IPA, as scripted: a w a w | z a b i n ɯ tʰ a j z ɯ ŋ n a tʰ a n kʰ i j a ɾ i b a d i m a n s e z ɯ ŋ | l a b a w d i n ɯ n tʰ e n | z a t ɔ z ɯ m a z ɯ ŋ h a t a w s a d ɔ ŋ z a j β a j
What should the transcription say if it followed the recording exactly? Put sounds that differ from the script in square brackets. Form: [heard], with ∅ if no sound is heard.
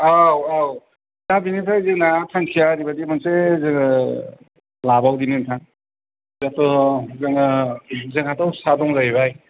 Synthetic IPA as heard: a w a w | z a b i n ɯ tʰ a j z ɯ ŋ n a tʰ a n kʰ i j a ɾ i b a d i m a n s e z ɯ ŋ | l a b a w d i n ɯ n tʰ [a] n | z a t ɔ z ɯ [ŋ] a z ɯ ŋ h a t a w s a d ɔ ŋ z a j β a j